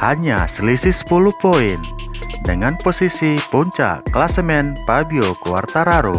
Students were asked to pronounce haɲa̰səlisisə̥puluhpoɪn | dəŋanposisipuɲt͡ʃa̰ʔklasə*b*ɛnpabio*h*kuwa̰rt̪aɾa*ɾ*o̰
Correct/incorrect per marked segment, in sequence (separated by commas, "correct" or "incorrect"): incorrect, incorrect, correct